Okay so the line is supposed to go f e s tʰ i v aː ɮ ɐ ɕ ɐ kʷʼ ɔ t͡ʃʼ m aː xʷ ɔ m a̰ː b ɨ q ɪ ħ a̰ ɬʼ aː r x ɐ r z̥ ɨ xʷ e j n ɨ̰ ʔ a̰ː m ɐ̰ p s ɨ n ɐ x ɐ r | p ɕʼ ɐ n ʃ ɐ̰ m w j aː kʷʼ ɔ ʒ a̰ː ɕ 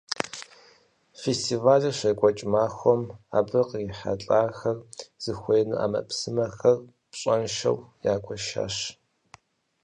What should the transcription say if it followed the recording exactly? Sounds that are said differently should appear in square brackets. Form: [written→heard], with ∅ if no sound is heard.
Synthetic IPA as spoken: f e s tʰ i v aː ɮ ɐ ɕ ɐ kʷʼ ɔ t͡ʃʼ m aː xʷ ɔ m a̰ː b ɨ q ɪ ħ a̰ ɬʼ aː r x ɐ r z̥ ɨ xʷ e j n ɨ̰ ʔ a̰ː m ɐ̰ p s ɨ [n→m] ɐ x ɐ r | p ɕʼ ɐ n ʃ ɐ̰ [m→∅] w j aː kʷʼ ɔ [ʒ→ʃ] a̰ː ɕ